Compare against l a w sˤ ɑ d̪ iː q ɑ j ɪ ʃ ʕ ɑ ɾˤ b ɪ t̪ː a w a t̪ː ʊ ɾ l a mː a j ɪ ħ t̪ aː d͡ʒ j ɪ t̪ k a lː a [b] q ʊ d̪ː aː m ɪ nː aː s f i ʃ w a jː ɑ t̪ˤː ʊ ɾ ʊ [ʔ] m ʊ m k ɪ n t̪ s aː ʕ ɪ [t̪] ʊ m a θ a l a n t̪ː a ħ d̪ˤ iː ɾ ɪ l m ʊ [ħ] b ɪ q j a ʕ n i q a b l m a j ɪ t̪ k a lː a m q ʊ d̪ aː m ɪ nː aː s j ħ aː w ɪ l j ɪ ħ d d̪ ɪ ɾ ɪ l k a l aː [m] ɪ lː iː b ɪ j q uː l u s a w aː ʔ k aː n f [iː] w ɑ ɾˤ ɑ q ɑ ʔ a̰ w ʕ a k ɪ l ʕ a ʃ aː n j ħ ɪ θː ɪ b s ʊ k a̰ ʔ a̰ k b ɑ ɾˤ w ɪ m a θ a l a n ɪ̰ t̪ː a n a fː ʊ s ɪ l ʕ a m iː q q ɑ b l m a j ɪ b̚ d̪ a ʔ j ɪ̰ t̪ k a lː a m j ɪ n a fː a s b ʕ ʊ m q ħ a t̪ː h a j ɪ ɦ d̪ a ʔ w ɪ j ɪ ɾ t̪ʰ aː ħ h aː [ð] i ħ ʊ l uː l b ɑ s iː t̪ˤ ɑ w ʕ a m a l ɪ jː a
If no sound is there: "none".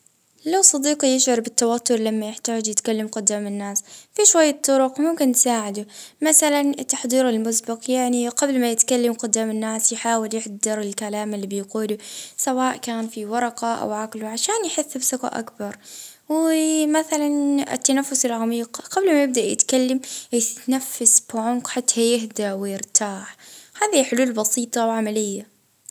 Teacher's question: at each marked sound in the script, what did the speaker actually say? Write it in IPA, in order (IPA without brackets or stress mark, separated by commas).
m, q, d̪, s, m, i, ð